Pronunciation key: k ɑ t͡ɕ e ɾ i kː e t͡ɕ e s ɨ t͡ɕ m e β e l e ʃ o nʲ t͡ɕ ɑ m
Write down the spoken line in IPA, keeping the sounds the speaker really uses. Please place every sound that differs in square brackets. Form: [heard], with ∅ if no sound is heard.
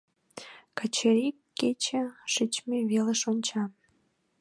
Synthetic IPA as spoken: k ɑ t͡ɕ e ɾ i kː e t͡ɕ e [ʃ] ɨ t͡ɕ m e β e l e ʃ o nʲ t͡ɕ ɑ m